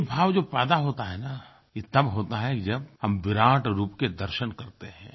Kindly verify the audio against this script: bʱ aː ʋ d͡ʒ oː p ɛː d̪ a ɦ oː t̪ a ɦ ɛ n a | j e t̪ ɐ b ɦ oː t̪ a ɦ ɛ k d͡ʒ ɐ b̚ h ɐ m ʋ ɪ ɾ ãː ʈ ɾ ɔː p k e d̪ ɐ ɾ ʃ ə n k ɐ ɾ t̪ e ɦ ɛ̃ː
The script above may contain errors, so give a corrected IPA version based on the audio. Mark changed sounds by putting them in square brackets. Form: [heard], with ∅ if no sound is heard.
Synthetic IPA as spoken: bʱ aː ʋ d͡ʒ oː p ɛː d̪ a ɦ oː t̪ a ɦ ɛ n a | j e t̪ ɐ b ɦ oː t̪ a ɦ ɛ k d͡ʒ ɐ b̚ h ɐ m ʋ ɪ ɾ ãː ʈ ɾ [uː] p k e d̪ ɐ ɾ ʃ ə n k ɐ ɾ t̪ e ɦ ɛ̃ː